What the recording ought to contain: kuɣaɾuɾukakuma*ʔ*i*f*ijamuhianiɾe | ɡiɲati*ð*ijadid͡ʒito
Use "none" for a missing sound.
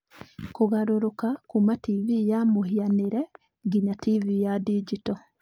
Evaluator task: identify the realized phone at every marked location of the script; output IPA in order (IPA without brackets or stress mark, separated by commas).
t, v, v